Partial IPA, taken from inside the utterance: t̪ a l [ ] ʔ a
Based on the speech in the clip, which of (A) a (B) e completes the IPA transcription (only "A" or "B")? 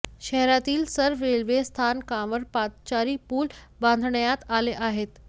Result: B